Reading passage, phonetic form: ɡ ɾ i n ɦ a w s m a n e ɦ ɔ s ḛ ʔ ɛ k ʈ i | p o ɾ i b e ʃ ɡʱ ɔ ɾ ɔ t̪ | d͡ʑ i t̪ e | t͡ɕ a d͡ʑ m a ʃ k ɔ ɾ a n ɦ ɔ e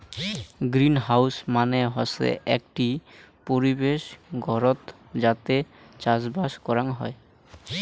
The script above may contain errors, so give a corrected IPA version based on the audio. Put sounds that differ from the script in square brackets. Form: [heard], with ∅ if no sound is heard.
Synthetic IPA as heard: ɡ ɾ i n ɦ a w s m a n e ɦ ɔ s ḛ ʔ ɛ k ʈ i | p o ɾ i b e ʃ ɡʱ ɔ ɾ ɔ t̪ | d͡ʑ [a] t̪ e | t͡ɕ a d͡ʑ [b] a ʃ k ɔ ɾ a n ɦ ɔ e